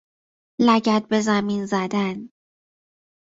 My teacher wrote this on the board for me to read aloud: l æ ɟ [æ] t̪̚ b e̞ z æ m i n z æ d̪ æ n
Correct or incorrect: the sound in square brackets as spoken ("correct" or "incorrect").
correct